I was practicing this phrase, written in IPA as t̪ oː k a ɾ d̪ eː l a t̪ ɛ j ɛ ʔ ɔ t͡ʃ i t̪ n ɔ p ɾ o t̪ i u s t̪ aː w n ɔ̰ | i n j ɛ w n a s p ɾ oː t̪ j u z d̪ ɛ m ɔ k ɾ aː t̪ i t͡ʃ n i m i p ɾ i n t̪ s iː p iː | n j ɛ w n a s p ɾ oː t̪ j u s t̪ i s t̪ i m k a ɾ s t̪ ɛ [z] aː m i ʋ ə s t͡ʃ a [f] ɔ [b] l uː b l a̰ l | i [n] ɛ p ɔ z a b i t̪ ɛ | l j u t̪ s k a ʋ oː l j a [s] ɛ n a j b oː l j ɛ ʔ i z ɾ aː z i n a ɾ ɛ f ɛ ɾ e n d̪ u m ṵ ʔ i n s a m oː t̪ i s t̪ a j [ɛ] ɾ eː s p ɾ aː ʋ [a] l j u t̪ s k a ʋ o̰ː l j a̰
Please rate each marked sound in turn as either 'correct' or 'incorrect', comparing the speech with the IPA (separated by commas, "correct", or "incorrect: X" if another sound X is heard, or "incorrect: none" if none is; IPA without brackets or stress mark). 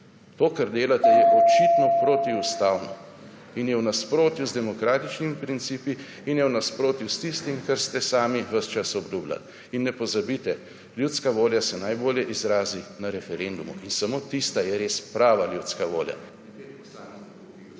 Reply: incorrect: s, incorrect: s, correct, incorrect: nː, correct, correct, correct